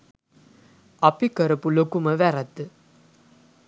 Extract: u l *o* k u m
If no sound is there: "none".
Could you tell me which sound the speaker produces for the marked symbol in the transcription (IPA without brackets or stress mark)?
o